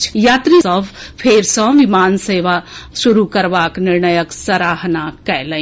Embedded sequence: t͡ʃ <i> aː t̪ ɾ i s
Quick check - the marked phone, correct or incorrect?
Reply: incorrect: j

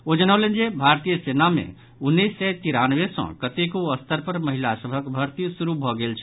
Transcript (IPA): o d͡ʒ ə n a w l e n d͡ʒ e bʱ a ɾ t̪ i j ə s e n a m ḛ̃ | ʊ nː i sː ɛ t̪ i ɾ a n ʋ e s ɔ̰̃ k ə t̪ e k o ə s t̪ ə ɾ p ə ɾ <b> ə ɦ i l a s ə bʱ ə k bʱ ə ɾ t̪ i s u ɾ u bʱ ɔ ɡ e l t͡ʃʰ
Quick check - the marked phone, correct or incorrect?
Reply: incorrect: m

